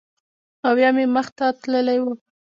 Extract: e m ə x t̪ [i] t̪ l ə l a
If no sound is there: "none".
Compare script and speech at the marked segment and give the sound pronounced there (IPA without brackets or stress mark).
a